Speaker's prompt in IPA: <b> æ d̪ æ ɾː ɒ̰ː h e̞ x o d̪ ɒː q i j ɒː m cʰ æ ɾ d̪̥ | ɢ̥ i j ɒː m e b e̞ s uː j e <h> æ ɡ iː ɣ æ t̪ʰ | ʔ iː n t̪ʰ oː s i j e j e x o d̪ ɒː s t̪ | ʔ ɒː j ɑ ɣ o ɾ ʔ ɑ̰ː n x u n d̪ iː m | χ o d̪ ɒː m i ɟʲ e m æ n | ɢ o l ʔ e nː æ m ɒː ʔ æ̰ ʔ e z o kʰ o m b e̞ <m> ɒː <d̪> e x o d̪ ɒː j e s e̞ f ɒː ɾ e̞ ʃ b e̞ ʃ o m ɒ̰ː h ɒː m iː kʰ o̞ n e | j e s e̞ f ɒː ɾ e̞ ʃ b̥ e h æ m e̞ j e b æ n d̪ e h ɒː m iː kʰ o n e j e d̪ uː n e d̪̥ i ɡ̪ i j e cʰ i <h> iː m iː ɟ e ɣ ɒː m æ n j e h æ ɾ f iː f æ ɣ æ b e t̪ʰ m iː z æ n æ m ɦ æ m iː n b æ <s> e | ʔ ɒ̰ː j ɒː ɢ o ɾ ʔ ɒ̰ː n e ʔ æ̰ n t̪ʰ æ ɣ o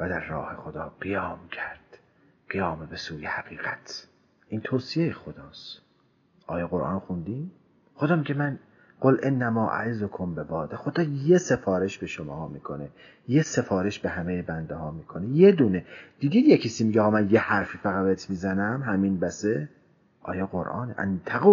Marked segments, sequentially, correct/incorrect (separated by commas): incorrect, correct, incorrect, correct, incorrect, correct